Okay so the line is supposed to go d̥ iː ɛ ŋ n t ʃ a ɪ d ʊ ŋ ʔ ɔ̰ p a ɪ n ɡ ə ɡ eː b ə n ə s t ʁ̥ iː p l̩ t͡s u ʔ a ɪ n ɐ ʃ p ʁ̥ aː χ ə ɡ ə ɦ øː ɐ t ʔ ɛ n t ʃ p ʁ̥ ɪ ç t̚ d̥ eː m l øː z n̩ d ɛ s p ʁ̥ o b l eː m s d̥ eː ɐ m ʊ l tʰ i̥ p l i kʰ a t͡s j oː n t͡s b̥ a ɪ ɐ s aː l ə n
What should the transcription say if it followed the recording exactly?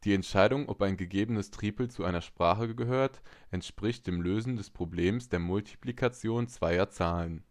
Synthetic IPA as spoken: d̥ iː ɛ n t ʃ a ɪ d ʊ ŋ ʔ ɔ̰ p a ɪ n ɡ ə ɡ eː b ə n ə s t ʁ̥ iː p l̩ t͡s u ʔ a ɪ n ɐ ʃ p ʁ̥ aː χ ə ɡ ə ɦ øː ɐ t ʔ ɛ n t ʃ p ʁ̥ ɪ ç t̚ d̥ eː m l øː z n̩ d ɛ s p ʁ̥ o b l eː m s d̥ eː ɐ m ʊ l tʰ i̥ p l i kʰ a t͡s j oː n t͡s v̥ a ɪ ɐ t͡s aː l ə n